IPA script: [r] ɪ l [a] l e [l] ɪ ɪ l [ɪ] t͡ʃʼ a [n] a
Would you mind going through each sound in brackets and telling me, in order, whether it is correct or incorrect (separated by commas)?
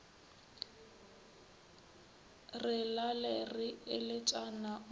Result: correct, correct, incorrect, correct, correct